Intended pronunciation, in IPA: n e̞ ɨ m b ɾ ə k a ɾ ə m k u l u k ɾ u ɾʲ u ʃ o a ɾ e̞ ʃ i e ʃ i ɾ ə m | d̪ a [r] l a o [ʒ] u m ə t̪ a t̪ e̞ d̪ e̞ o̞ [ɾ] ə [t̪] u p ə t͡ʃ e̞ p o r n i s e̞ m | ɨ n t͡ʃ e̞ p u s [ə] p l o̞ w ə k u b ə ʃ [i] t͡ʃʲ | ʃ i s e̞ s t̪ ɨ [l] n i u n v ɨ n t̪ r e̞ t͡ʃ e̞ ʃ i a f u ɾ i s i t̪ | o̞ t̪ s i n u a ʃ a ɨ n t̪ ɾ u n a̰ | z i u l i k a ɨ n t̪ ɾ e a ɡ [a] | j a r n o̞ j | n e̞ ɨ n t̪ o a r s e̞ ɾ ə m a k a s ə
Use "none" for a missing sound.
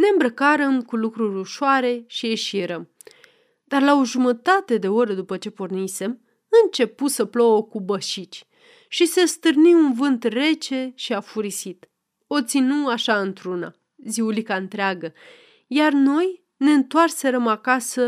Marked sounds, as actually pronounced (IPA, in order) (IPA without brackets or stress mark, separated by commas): r, ʒ, ɾ, d̪, ə, i, r, ə